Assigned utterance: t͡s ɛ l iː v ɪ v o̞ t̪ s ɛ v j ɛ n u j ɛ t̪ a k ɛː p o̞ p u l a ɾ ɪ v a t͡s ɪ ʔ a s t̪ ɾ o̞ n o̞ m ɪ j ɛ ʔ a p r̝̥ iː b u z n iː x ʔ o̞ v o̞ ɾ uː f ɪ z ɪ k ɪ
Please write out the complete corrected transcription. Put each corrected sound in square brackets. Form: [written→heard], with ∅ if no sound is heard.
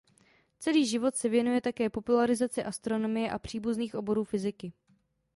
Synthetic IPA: t͡s ɛ l iː [v→ʒ] ɪ v o̞ t̪ s ɛ v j ɛ n u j ɛ t̪ a k ɛː p o̞ p u l a ɾ ɪ [v→z] a t͡s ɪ ʔ a s t̪ ɾ o̞ n o̞ m ɪ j ɛ ʔ a p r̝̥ iː b u z n iː x ʔ o̞ [v→b] o̞ ɾ uː f ɪ z ɪ k ɪ